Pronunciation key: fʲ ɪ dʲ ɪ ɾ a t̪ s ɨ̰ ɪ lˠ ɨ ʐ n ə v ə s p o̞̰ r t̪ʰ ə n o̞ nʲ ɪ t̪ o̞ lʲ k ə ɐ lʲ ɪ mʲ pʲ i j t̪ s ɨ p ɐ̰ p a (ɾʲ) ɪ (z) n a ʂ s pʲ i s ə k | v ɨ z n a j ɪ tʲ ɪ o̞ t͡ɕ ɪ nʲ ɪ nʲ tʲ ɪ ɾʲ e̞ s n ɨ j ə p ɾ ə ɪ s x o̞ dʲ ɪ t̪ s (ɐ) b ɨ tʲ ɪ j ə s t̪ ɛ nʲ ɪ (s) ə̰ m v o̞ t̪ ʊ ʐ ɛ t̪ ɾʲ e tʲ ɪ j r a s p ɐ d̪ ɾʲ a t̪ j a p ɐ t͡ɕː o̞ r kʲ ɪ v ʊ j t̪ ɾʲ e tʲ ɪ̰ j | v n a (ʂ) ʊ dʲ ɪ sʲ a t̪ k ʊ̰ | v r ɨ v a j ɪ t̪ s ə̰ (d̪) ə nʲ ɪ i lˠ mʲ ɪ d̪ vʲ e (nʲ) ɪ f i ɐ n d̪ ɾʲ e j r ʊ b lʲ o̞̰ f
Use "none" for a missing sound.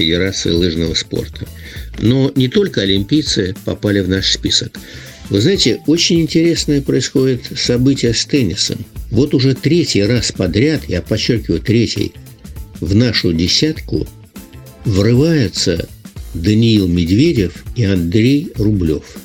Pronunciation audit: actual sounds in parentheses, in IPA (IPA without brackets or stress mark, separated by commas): lʲ, v, ɐ, s, ʂ, d̪, dʲ